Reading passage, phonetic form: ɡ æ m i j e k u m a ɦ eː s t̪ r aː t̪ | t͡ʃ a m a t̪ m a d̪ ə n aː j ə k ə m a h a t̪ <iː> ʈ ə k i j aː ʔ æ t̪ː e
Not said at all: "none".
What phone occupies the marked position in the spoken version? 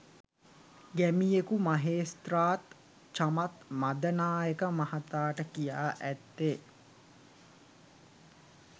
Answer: aː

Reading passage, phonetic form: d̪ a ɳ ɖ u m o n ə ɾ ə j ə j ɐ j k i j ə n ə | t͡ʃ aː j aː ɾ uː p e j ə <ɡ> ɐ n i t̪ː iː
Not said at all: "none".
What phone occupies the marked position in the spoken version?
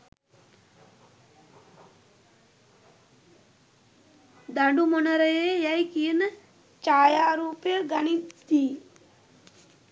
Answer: ɡ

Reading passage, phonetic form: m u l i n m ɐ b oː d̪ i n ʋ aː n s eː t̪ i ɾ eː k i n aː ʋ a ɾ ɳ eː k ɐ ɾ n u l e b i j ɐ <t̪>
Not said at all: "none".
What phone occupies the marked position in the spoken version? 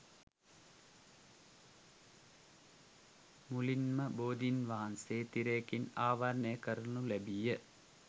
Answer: none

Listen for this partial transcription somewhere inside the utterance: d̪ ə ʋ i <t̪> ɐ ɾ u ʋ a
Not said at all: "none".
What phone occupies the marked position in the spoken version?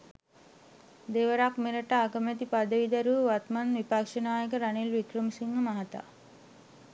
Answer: d̪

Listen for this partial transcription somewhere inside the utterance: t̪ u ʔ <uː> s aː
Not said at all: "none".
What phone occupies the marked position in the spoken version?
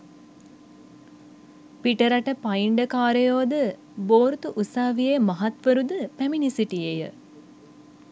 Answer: u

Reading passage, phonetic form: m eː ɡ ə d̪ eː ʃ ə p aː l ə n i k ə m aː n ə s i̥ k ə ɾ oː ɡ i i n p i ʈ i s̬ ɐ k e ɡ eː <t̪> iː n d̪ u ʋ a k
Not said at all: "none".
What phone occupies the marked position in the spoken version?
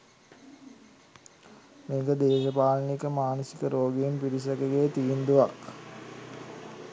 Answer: t̪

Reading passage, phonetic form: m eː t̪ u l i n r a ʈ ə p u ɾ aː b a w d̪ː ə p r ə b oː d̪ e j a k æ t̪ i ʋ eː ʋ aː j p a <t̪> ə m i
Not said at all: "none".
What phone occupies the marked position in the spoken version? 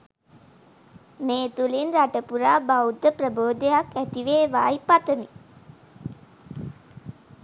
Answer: t̪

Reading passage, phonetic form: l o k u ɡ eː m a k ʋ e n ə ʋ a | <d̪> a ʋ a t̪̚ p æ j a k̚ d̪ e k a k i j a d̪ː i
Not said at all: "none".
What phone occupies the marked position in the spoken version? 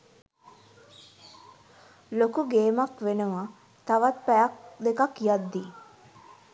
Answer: t̪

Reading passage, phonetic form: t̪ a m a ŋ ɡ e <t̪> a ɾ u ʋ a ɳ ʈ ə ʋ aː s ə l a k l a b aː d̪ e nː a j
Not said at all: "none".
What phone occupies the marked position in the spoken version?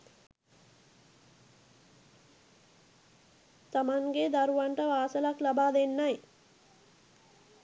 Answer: d̪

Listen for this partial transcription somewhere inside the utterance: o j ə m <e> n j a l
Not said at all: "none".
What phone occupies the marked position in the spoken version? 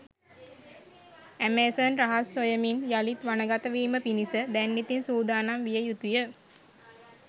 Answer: i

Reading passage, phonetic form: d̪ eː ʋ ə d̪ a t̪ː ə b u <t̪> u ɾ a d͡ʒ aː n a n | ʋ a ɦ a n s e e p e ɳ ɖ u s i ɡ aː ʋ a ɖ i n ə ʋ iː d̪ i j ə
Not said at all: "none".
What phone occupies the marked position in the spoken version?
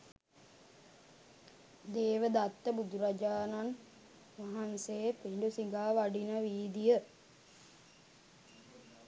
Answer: d̪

